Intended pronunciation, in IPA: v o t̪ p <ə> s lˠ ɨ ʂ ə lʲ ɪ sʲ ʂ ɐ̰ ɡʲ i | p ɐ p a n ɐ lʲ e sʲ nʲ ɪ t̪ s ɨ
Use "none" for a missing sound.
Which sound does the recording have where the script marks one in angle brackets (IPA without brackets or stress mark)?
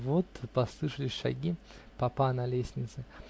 ɐ